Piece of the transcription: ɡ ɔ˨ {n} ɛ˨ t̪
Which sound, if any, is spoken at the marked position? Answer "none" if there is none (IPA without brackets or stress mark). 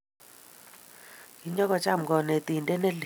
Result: n